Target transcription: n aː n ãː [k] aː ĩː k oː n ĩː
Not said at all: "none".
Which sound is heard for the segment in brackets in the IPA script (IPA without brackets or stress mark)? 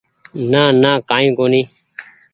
k